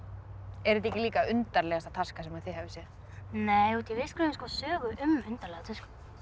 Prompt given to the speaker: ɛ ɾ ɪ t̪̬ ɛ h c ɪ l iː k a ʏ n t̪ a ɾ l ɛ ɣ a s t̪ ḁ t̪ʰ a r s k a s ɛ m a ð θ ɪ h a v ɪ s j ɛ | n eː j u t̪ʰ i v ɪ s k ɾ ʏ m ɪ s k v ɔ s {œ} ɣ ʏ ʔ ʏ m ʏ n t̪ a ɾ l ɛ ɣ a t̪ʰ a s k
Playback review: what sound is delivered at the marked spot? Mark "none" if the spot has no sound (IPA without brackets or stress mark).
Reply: œː